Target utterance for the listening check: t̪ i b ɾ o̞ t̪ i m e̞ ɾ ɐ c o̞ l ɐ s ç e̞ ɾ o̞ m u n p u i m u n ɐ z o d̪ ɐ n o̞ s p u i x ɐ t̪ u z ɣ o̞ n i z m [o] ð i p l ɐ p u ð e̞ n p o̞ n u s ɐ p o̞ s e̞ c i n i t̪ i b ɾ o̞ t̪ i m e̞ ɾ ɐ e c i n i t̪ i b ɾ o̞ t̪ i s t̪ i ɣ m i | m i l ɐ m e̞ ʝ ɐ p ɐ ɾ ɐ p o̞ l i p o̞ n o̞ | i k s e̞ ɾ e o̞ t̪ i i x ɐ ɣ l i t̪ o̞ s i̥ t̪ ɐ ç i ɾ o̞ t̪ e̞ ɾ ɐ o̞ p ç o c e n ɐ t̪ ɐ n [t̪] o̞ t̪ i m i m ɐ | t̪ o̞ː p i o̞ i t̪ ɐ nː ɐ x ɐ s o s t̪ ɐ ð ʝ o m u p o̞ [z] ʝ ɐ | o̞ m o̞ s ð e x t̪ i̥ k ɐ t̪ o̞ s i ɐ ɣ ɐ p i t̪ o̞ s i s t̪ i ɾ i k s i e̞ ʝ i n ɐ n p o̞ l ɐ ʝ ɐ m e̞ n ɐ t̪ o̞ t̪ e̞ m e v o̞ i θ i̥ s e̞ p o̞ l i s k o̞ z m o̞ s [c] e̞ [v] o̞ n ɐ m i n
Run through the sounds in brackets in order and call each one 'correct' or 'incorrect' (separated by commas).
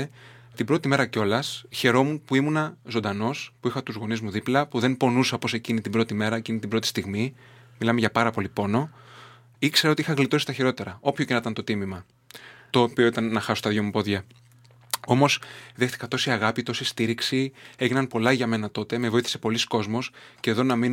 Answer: incorrect, correct, incorrect, correct, incorrect